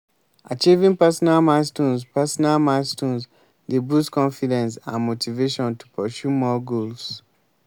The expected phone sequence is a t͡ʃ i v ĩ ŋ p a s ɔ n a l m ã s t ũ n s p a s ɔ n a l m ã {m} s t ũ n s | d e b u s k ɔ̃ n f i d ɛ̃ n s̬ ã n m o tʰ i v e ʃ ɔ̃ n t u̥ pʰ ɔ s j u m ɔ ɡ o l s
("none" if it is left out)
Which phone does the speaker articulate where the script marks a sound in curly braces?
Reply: none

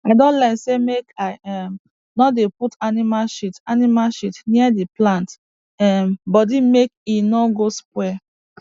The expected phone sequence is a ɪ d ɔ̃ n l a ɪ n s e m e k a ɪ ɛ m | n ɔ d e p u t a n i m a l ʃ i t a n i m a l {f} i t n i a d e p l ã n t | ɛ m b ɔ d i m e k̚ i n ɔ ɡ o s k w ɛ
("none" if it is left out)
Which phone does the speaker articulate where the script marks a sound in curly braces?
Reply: ʃ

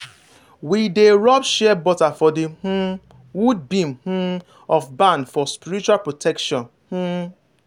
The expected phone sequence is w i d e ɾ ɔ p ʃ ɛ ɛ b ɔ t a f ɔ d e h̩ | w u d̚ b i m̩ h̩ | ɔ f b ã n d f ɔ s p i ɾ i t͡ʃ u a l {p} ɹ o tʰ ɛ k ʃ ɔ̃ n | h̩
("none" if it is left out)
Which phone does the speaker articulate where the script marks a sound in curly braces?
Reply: p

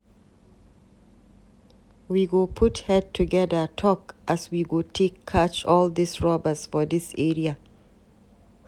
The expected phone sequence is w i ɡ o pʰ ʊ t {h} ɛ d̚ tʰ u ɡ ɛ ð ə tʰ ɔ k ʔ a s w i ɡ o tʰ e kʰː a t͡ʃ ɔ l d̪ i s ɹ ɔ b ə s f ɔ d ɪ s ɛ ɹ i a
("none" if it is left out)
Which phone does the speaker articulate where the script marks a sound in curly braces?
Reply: h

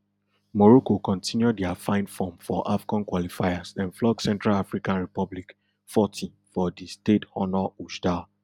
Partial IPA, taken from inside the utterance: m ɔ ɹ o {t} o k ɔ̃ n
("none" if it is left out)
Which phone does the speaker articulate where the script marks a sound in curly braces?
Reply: k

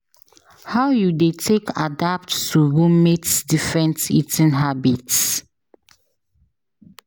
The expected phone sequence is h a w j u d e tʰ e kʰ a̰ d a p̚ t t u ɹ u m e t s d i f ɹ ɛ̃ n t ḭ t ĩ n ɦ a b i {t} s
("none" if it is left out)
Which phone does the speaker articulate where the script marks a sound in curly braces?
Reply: t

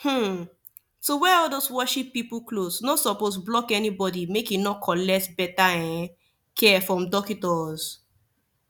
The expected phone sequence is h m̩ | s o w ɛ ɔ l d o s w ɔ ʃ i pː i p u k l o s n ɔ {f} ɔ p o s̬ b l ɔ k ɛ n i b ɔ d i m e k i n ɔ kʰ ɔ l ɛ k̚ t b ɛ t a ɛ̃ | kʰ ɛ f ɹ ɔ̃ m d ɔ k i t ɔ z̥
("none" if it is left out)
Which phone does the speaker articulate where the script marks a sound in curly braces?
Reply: s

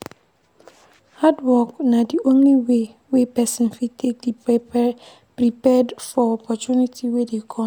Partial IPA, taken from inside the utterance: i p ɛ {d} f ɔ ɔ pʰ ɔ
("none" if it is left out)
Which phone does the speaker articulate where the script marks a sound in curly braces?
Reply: d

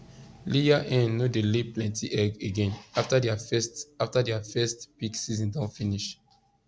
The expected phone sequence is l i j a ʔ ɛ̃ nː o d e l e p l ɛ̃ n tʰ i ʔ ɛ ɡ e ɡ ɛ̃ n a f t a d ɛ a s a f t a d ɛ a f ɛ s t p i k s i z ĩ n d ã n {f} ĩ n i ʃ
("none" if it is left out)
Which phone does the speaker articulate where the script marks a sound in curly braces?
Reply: f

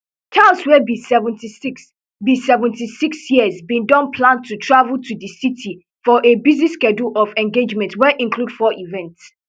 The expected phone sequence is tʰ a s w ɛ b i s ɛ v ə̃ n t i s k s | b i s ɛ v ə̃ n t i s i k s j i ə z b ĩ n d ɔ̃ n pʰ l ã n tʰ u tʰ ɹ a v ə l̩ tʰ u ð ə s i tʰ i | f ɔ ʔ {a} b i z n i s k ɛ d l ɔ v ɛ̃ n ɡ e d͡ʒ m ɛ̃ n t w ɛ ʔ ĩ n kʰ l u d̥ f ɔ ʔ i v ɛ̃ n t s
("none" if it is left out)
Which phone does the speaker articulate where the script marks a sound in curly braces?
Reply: e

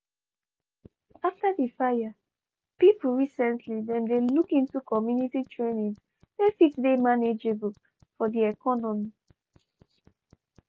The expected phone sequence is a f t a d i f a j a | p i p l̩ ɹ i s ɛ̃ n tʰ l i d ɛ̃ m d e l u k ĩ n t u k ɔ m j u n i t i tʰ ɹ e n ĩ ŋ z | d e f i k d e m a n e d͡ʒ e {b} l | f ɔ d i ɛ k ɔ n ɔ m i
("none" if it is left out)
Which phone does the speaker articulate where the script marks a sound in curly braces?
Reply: b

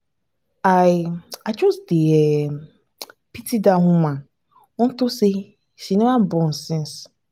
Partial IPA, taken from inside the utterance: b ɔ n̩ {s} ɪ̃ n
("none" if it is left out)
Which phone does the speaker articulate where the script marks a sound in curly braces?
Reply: s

